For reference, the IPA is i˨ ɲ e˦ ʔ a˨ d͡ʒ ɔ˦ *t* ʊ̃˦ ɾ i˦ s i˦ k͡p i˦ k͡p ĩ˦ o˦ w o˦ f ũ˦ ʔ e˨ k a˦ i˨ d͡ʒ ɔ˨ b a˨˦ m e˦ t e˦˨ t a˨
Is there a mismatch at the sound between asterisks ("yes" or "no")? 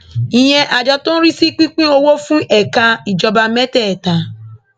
no